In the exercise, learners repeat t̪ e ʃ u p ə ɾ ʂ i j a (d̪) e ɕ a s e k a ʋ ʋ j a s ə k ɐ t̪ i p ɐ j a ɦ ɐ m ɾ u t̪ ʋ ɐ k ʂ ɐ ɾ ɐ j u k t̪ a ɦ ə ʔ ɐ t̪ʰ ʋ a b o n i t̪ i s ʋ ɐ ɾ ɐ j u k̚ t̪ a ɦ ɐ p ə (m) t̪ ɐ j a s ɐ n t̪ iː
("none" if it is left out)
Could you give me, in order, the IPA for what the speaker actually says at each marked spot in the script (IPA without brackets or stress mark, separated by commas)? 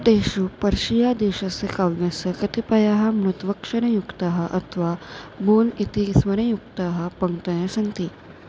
d̪, ŋ